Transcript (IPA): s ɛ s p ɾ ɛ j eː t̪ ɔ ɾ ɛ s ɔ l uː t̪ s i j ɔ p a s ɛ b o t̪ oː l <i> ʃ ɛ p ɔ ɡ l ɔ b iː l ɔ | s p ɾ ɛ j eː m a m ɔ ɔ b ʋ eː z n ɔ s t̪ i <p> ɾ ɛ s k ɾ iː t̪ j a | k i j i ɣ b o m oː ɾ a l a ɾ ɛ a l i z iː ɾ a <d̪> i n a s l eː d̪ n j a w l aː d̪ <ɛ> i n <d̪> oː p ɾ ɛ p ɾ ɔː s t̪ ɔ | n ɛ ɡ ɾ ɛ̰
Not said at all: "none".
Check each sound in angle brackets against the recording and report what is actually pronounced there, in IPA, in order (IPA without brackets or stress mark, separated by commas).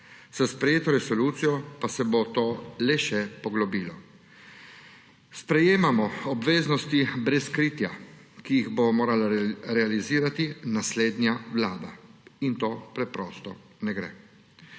ɛ, b, t̪, a, t̪